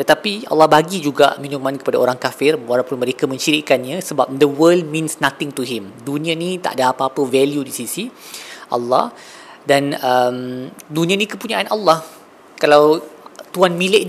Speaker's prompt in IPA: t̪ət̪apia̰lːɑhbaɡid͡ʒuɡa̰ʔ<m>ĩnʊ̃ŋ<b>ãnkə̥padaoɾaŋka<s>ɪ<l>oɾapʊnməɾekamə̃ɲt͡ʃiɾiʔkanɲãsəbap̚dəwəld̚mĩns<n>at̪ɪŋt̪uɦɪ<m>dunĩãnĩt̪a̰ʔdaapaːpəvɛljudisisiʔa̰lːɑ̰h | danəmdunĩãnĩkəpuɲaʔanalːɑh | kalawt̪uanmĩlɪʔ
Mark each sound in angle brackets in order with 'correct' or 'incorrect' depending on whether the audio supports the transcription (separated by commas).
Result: correct, incorrect, incorrect, incorrect, correct, correct